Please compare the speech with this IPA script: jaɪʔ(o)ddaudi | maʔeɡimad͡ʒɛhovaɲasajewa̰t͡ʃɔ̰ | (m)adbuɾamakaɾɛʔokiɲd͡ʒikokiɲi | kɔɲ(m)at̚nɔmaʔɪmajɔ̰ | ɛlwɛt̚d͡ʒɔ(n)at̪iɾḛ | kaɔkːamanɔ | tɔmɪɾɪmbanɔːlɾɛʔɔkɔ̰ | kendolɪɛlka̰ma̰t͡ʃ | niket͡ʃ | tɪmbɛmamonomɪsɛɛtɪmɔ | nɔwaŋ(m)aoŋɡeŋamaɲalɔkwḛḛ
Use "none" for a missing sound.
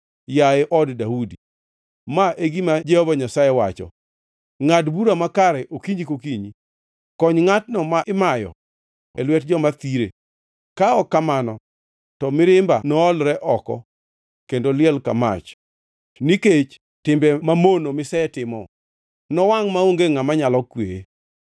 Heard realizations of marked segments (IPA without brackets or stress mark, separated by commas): ɔ, ŋ, ŋ, m, m